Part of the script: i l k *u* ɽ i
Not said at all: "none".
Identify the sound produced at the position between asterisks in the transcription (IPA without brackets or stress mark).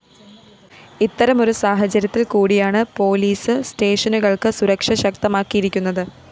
uː